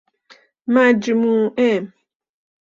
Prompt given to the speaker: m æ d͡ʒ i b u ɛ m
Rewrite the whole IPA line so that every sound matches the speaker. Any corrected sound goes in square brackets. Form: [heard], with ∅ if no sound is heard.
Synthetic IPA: m [a] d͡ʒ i [m] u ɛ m